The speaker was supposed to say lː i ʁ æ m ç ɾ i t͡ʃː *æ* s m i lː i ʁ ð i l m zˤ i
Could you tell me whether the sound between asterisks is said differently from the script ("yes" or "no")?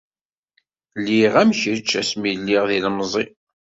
no